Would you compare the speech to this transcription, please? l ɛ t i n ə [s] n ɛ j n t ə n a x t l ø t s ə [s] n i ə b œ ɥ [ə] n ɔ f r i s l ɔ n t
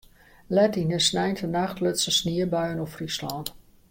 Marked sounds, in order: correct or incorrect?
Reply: correct, correct, correct

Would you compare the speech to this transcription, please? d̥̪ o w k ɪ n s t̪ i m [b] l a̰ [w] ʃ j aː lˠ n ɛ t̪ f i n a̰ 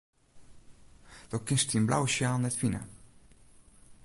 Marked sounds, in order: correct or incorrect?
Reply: correct, correct

